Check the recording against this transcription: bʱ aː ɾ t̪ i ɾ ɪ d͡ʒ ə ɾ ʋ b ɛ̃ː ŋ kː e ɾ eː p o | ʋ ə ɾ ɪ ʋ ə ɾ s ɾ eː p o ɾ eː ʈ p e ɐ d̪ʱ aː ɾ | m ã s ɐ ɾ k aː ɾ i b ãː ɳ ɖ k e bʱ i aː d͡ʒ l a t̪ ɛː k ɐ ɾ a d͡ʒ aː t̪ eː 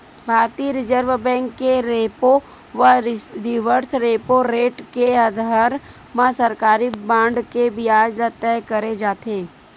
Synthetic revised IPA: bʱ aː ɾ t̪ i ɾ ɪ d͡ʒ ə ɾ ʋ b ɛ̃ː ŋ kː e ɾ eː p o | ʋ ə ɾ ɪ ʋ ə ɾ s ɾ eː p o ɾ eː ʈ k e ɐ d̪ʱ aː ɾ | m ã s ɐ ɾ k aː ɾ i b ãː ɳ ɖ k e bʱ i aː d͡ʒ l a t̪ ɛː k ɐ ɾ e d͡ʒ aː t̪ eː